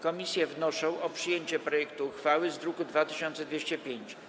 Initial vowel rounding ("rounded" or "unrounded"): rounded